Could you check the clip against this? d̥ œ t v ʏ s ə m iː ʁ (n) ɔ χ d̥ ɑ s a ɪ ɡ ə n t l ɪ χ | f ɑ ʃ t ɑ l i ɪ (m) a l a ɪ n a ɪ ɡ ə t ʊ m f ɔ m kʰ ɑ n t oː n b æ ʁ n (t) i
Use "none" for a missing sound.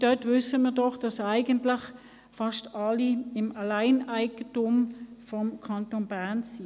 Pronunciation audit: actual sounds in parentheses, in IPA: d, m, s

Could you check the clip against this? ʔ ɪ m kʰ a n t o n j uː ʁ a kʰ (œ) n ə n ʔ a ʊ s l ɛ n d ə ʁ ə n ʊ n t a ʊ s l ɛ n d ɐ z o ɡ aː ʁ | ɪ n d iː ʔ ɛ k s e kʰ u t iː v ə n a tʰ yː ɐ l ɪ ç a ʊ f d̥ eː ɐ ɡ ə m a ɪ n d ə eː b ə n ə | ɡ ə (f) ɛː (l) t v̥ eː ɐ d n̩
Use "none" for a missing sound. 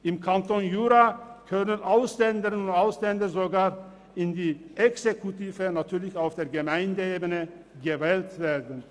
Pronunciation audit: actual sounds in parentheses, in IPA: œ, v, l

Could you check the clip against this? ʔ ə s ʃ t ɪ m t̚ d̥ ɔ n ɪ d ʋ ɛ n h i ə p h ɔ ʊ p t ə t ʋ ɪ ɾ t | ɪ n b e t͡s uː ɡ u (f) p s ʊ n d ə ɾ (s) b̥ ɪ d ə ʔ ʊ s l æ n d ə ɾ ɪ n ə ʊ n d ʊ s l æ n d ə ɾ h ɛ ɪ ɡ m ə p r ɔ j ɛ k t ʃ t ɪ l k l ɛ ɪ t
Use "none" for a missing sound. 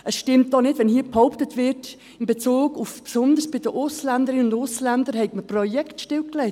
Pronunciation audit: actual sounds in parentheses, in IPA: f, s

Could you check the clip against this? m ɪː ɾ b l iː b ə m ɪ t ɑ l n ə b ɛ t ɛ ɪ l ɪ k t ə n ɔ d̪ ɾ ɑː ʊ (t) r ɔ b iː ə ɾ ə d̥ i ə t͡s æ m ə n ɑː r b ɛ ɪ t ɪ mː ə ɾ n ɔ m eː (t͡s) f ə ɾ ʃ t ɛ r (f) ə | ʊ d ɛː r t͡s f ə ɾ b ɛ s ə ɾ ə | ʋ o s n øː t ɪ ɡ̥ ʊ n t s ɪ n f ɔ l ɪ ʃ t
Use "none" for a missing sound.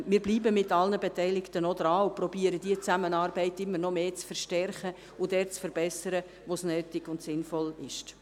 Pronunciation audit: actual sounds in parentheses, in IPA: p, t͡s, χ

